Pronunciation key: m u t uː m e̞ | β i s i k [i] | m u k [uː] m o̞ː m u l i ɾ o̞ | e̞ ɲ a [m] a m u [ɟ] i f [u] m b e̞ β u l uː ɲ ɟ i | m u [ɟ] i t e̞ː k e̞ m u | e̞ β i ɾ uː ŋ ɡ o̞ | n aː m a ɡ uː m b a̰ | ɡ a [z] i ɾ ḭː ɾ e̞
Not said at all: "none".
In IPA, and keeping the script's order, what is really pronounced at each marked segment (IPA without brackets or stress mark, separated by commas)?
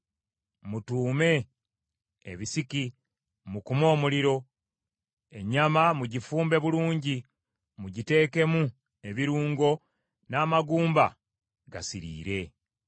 i, u, m, ɟ, uː, ɟ, s